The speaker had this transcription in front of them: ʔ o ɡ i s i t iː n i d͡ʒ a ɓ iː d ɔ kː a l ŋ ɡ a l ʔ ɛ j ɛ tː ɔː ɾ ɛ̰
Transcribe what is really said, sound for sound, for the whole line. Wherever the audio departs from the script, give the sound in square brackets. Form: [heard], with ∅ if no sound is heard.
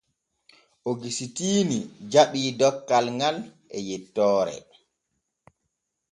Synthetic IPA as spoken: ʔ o ɡ i s i t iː n i d͡ʒ a ɓ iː d ɔ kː a l ŋ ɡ a l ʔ ɛ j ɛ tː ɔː ɾ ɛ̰